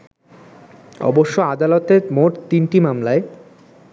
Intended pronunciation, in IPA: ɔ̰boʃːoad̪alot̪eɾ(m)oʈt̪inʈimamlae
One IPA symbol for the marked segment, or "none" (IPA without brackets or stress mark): m